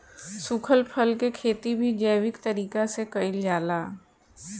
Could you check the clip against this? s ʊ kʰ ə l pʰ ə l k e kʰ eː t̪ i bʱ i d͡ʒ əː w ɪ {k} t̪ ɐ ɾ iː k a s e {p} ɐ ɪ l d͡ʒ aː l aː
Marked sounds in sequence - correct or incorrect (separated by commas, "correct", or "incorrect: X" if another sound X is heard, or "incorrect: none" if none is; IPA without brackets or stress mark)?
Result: correct, incorrect: k